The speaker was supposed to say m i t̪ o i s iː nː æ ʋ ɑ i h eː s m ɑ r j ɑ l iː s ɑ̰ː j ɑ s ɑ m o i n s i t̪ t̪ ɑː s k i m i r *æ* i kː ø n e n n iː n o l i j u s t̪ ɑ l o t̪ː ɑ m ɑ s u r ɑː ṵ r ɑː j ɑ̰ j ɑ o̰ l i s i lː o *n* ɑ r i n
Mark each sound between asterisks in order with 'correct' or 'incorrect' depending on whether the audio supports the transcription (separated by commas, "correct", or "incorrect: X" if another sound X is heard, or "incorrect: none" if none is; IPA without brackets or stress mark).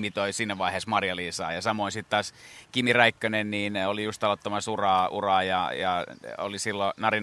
correct, correct